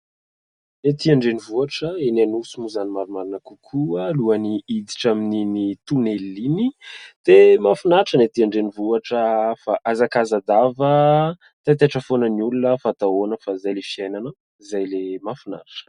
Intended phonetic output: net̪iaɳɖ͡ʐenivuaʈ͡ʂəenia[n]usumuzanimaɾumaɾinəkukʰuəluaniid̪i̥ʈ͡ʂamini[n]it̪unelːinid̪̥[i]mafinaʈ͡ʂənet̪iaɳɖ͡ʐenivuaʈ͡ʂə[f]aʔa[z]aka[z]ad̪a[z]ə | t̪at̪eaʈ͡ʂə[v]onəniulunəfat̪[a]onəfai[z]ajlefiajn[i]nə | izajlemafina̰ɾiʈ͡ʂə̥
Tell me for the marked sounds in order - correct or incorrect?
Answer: correct, correct, incorrect, correct, correct, correct, incorrect, incorrect, correct, correct, incorrect

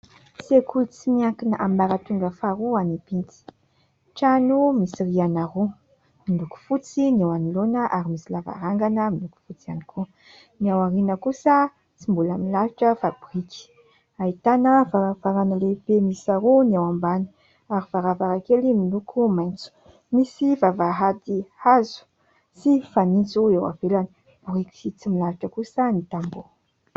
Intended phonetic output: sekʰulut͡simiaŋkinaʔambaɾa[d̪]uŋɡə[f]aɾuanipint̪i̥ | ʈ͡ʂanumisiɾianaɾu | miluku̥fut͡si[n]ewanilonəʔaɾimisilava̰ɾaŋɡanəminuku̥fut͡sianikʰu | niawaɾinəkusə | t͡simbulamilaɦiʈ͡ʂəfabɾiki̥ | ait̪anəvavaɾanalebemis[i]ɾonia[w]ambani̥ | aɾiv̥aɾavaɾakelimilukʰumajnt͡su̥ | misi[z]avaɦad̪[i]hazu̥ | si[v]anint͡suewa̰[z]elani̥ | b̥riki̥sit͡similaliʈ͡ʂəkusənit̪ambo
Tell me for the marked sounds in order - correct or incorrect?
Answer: incorrect, correct, correct, incorrect, correct, incorrect, correct, incorrect, incorrect

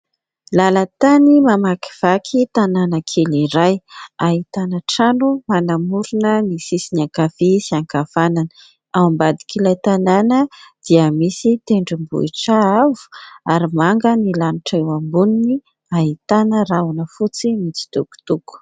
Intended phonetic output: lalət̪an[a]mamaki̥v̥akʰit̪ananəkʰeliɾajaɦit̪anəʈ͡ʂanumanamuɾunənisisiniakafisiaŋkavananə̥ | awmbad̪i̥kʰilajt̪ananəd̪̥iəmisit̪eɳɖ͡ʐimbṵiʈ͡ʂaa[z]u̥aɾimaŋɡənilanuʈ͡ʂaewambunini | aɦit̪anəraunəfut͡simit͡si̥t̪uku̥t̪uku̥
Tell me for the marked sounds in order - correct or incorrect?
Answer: incorrect, incorrect

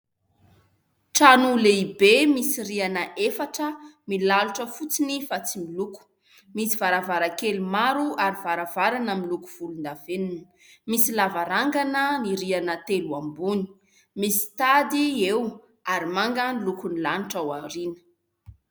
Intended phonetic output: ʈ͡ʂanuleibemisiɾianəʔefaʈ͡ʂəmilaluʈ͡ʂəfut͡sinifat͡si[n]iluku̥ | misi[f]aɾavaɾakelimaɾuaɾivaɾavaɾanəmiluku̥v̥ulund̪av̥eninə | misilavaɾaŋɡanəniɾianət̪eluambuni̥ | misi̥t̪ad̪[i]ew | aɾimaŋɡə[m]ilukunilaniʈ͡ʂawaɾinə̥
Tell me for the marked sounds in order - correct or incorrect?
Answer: incorrect, incorrect, correct, incorrect

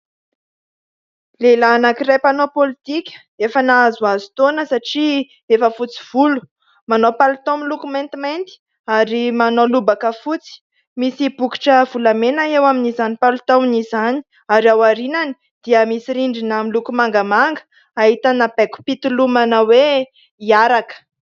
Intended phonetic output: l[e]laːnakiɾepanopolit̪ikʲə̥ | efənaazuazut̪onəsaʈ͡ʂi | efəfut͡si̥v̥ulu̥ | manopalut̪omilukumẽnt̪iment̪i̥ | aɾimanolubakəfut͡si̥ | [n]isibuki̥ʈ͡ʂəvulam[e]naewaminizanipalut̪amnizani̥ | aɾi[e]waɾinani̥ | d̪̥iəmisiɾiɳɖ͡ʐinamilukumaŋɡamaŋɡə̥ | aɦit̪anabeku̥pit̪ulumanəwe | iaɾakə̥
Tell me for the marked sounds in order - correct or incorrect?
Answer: correct, incorrect, correct, incorrect

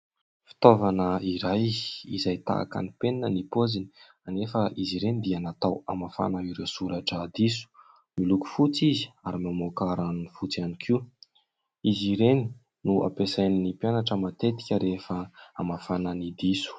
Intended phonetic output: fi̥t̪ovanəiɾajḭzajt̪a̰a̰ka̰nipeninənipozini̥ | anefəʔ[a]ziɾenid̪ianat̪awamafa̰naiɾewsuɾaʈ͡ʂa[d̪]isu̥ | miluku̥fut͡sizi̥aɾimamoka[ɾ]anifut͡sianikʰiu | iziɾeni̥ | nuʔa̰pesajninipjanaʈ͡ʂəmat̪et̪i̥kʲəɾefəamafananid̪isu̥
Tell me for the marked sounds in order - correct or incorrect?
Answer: incorrect, correct, correct

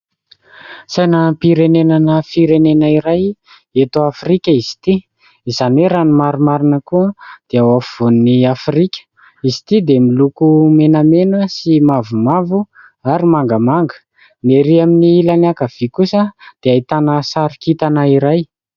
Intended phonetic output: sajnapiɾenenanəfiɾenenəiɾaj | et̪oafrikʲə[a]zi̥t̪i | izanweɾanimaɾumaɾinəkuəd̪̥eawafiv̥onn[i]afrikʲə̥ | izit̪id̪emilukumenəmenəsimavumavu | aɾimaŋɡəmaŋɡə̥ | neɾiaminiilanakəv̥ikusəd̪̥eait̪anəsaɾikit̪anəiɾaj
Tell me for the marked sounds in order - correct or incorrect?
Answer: incorrect, correct

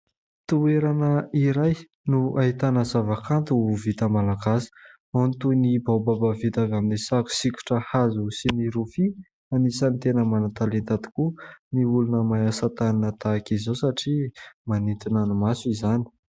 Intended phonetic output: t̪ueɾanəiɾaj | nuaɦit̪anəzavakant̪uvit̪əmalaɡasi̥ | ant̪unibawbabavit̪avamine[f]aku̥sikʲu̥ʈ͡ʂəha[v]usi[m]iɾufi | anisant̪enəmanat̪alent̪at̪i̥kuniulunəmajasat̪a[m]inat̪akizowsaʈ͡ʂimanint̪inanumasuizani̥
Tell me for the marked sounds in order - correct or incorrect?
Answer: incorrect, incorrect, incorrect, incorrect

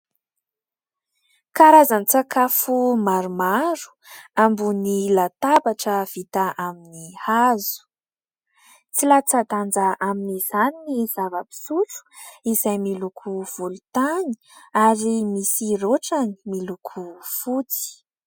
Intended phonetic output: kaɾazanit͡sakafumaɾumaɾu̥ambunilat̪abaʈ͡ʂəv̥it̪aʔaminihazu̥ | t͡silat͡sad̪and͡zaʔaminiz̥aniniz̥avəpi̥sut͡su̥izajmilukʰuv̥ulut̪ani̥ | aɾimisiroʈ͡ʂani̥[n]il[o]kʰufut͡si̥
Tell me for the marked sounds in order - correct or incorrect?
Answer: incorrect, incorrect

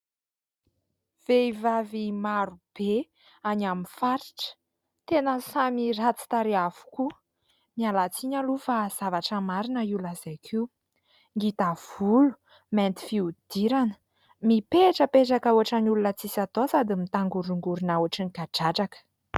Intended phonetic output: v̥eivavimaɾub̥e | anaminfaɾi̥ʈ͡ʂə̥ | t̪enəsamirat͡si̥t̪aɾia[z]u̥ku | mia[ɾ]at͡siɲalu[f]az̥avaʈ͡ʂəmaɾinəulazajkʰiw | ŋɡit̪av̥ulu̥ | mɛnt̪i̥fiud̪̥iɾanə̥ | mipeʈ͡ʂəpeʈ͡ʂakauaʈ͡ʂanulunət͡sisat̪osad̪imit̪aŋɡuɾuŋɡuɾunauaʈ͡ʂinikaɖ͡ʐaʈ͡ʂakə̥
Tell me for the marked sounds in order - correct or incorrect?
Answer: incorrect, incorrect, correct

